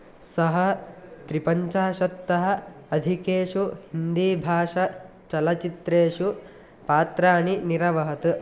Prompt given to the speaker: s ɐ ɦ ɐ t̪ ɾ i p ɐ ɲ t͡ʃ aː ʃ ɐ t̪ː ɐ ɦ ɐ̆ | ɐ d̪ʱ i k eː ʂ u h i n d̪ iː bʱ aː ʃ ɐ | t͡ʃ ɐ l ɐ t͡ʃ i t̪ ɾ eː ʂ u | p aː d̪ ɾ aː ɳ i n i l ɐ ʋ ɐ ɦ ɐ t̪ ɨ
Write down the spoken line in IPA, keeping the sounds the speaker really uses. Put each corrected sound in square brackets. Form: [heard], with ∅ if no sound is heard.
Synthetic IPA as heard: s ɐ ɦ ɐ t̪ ɾ i p ɐ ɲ t͡ʃ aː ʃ ɐ t̪ː ɐ ɦ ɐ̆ | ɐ d̪ʱ i k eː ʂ u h i n d̪ iː bʱ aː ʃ ɐ | t͡ʃ ɐ l ɐ t͡ʃ i t̪ ɾ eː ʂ u | p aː [t̪] ɾ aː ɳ i n i [ɾ] ɐ ʋ ɐ ɦ ɐ t̪ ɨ